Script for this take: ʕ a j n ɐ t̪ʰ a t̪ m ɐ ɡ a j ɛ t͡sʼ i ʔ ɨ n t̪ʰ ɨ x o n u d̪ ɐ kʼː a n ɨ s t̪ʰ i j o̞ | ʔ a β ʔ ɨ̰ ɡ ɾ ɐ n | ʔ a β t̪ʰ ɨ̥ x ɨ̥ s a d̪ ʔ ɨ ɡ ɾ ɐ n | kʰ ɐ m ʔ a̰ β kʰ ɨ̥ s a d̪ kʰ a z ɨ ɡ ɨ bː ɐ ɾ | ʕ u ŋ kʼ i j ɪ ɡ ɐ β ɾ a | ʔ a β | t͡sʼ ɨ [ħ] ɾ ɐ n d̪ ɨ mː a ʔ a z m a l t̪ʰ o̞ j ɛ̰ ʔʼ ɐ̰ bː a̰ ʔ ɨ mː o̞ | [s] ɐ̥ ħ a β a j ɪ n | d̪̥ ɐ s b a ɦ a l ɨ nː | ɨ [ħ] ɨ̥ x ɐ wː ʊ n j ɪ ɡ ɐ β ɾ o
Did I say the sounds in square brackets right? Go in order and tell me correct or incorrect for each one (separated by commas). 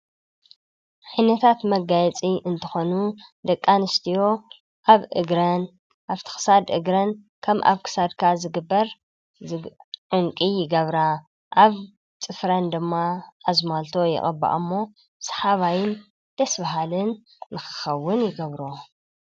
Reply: incorrect, correct, incorrect